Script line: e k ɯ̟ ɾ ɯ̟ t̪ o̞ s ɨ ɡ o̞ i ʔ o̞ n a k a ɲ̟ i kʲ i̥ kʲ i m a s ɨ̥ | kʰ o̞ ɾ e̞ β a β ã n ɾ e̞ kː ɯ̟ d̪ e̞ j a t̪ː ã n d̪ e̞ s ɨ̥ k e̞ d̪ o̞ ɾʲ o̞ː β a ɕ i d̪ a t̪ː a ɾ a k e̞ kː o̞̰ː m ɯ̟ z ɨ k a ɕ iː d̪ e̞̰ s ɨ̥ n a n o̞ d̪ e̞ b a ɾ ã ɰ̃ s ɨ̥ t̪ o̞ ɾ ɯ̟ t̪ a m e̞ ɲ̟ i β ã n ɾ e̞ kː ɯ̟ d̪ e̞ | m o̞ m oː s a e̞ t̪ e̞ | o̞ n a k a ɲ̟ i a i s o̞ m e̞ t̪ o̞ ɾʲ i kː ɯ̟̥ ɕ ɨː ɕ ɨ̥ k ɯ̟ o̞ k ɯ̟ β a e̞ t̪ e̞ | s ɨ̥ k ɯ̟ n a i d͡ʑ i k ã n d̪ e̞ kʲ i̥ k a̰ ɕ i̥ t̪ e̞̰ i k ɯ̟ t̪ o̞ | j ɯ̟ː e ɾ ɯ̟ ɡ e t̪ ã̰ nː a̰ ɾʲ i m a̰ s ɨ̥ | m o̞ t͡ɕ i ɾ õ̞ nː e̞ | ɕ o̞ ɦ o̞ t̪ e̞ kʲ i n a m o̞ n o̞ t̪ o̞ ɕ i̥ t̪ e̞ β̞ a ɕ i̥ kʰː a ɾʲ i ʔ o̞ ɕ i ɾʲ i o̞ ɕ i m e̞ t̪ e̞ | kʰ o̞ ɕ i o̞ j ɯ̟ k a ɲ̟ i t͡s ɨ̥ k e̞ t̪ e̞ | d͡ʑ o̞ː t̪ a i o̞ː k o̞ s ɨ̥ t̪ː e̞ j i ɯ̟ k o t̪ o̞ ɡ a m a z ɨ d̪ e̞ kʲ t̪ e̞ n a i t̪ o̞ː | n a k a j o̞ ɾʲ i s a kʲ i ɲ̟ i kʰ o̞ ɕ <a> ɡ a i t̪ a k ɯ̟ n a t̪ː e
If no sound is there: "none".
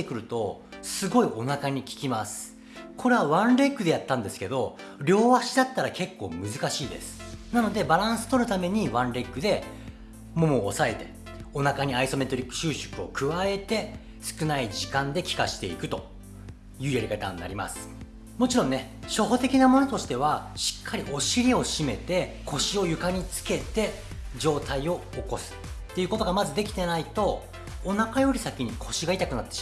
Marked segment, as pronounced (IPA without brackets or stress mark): i